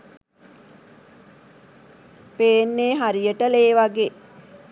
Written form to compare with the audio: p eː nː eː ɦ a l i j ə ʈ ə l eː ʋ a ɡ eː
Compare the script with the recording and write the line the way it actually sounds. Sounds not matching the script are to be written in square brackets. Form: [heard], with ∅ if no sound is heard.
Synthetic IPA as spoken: p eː nː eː ɦ a [ɾ] i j ə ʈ ə l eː ʋ a ɡ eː